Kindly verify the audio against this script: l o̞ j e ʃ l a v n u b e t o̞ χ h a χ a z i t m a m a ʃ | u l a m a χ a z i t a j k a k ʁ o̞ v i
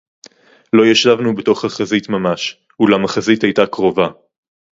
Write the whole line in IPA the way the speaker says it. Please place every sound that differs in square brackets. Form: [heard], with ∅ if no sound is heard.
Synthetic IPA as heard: l o̞ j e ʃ l a v n u b e t o̞ χ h a χ a z i t m a m a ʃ | u l a m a χ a z i t a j [t] a k ʁ o̞ v [a]